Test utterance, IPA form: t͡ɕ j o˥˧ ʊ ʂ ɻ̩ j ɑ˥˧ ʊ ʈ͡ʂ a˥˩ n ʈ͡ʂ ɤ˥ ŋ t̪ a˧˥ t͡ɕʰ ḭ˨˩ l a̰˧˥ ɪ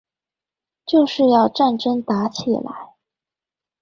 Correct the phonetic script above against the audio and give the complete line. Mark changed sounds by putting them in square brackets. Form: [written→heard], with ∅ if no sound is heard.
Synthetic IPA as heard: t͡ɕ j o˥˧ ʊ ʂ ɻ̩ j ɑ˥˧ ʊ ʈ͡ʂ a˥˩ n ʈ͡ʂ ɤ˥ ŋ t̪ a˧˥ t͡ɕʰ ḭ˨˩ l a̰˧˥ ɪ